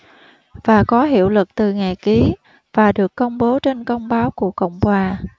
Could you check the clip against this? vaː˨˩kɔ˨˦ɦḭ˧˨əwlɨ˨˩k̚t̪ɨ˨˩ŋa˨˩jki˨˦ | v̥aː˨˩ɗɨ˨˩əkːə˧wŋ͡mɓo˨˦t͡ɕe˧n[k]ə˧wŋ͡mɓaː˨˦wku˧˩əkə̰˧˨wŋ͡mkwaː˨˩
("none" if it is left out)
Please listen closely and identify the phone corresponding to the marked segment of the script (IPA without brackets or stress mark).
k